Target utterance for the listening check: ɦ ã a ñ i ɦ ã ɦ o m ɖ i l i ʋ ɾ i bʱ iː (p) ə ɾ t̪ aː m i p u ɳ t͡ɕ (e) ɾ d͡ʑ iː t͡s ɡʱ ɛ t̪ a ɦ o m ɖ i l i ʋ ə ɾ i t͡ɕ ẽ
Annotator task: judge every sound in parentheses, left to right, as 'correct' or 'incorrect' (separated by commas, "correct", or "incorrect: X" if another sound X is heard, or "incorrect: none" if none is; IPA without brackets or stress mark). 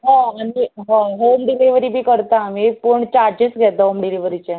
incorrect: k, incorrect: a